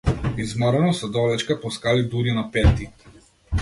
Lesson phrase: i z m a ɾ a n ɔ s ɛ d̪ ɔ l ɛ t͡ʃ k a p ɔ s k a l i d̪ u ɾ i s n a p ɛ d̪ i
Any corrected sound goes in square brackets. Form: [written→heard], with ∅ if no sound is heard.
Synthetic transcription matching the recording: i z m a ɾ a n ɔ s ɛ d̪ ɔ l ɛ t͡ʃ k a p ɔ s k a l i d̪ u ɾ i [s→∅] n a p ɛ [d̪→t̪] i